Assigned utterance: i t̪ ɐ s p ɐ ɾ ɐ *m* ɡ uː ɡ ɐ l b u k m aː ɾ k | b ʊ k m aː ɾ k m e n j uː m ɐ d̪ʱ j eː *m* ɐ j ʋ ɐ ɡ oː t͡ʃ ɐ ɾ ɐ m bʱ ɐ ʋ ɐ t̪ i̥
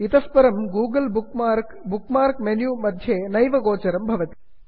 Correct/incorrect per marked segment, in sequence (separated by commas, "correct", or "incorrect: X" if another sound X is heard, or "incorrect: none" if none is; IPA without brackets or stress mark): correct, incorrect: n